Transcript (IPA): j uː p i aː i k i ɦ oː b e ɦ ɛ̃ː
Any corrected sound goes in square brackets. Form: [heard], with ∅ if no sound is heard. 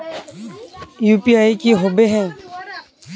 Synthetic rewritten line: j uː p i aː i k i ɦ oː b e ɦ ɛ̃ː